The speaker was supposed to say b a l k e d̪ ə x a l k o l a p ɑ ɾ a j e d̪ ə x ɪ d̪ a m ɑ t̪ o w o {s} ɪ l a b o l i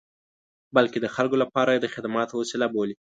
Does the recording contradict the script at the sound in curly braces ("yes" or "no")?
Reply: no